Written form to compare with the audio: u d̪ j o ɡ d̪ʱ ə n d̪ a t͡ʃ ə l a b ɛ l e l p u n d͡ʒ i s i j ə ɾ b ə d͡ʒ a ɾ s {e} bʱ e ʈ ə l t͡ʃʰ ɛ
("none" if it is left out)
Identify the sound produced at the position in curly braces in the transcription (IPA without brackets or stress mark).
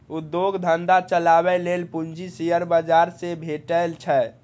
e